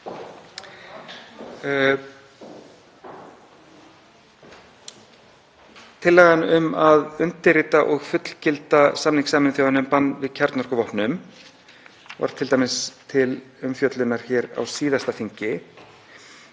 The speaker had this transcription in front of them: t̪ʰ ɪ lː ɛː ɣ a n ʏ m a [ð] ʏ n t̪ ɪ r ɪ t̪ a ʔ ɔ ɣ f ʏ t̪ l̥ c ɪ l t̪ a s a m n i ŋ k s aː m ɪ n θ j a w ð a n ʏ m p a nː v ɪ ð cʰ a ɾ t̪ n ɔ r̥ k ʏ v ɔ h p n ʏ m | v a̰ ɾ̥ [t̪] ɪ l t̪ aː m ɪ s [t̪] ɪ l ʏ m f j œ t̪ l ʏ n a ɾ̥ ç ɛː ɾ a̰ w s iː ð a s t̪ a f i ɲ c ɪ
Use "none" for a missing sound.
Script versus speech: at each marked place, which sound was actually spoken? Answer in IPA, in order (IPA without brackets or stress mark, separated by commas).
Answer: ð, t̪ʰ, t̪ʰ